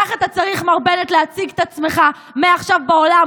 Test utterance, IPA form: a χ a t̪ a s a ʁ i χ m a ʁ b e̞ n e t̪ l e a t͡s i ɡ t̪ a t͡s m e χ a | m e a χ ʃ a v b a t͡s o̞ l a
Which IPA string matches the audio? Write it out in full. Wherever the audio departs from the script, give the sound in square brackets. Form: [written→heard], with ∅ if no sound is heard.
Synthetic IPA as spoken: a χ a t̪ a [s→t͡s] a ʁ i χ m a ʁ b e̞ n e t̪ l e a t͡s i ɡ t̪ a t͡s m e χ a | m e a χ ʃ a v b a [t͡s→∅] o̞ l a